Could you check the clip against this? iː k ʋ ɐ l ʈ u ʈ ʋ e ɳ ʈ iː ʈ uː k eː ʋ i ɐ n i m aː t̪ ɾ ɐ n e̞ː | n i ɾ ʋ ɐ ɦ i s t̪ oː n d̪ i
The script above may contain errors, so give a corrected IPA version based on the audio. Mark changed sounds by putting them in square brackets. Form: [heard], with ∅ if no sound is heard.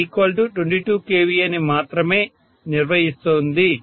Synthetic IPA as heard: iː k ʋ ɐ l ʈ u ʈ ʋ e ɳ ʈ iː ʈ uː k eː ʋ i ɐ n i m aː t̪ ɾ ɐ [m] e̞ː | n i ɾ ʋ ɐ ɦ i s t̪ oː n d̪ i